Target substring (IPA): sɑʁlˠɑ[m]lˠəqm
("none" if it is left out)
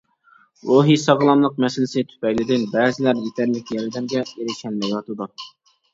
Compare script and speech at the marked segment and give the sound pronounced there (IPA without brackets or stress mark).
m